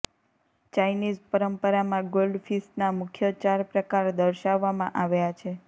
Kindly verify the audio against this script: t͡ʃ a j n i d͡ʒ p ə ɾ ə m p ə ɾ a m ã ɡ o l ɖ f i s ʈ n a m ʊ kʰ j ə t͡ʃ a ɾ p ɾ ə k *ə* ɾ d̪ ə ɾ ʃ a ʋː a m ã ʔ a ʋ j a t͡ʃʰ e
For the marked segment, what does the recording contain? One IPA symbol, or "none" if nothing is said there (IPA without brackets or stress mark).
a